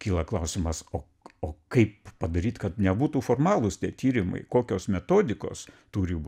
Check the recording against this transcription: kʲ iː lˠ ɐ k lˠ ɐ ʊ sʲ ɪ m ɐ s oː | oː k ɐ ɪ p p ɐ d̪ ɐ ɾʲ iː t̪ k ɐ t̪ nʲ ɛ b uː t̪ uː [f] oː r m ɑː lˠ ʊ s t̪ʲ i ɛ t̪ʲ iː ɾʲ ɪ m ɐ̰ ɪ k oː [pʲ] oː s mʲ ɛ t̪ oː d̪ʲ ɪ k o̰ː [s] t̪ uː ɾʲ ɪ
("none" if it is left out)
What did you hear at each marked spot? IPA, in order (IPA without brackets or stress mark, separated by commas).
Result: f, kʲ, s